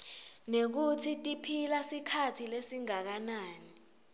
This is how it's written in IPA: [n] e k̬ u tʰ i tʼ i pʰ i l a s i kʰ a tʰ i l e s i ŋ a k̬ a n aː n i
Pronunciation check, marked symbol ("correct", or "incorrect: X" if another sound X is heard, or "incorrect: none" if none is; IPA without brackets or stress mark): correct